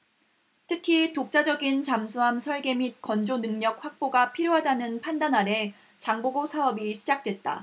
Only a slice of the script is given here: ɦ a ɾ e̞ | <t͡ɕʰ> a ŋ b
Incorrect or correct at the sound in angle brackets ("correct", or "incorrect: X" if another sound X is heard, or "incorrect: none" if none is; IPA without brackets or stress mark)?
incorrect: t͡ɕ